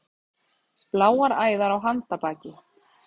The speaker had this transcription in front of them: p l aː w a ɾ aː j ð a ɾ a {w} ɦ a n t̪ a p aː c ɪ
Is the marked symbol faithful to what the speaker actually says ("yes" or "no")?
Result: yes